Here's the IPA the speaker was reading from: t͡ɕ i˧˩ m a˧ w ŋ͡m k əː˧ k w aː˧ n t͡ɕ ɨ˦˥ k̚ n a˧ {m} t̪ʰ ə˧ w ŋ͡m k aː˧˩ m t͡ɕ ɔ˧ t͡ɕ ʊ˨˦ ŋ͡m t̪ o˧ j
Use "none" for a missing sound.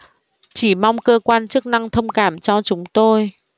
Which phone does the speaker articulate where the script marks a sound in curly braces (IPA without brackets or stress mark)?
ŋ